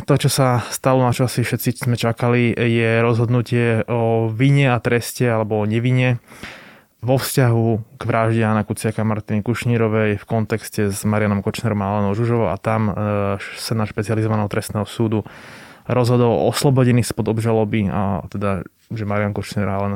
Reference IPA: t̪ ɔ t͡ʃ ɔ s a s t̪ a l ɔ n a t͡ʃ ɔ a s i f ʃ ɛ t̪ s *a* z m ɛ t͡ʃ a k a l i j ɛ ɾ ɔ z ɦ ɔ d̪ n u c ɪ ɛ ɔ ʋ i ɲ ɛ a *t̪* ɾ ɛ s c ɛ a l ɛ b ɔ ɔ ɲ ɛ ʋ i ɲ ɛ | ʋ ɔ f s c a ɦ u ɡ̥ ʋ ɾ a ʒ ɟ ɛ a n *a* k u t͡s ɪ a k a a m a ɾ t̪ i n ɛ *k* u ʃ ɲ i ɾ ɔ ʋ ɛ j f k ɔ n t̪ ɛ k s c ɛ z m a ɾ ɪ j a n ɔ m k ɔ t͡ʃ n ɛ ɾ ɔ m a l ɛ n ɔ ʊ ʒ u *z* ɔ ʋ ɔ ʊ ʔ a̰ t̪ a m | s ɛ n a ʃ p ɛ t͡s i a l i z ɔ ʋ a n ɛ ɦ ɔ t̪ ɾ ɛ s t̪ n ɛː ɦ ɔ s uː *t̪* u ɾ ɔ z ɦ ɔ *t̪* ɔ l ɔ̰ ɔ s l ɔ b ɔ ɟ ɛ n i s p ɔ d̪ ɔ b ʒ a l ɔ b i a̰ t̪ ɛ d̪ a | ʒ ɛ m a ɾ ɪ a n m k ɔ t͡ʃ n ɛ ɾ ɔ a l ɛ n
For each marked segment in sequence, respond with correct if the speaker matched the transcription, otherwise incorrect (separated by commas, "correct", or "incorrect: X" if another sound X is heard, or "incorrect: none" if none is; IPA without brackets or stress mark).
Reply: incorrect: i, correct, correct, correct, incorrect: ʒ, incorrect: d̪, incorrect: d̪